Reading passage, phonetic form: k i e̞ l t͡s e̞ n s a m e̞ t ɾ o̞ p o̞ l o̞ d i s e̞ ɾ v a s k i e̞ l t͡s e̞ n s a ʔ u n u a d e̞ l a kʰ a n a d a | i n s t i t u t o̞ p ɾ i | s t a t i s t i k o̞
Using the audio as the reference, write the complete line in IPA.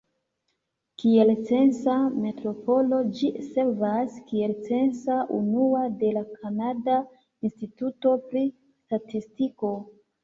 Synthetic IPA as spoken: k i e̞ l t͡s e̞ n s a m e̞ t ɾ o̞ p o̞ l o̞ d͡ʒ i s e̞ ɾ v a s k i e̞ l t͡s e̞ n s a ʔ u n u a d e̞ l a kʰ a n a d a | i n s t i t u t o̞ p ɾ i | s t a t i s t i k o̞